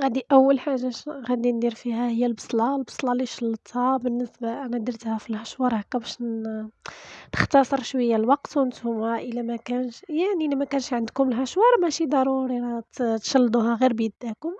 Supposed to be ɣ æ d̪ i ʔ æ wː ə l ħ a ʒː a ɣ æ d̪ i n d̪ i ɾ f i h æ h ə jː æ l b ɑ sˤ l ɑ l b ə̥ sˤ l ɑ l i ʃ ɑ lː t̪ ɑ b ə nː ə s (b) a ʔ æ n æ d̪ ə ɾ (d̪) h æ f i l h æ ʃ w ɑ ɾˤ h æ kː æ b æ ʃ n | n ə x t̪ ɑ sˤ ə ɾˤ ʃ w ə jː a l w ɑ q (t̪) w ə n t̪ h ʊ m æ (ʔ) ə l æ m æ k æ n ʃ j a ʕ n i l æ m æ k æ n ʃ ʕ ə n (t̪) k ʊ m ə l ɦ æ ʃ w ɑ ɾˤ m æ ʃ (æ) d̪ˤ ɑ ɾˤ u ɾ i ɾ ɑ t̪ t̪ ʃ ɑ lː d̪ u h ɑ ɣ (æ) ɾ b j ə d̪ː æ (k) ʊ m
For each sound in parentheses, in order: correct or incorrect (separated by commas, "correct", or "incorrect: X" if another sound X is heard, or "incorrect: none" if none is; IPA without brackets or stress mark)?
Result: correct, incorrect: t̪, correct, correct, incorrect: d̪, incorrect: i, incorrect: i, correct